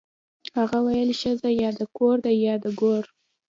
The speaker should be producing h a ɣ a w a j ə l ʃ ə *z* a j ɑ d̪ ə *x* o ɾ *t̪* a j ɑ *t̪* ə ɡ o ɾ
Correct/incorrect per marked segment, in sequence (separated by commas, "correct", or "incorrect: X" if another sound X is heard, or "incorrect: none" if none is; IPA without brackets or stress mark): correct, incorrect: k, incorrect: d̪, incorrect: d̪